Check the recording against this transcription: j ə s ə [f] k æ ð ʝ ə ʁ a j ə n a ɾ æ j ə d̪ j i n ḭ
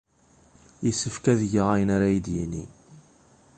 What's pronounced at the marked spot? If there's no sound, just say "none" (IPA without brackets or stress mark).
f